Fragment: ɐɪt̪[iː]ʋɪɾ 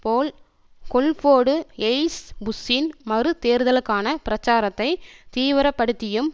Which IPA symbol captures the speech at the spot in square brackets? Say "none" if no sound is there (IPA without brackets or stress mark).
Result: iː